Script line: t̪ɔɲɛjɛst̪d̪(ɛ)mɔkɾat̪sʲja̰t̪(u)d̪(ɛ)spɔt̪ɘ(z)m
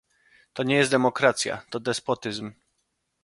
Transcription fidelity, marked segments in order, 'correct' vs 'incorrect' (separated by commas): correct, incorrect, correct, correct